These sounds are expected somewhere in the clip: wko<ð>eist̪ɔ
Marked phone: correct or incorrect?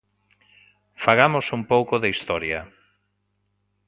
correct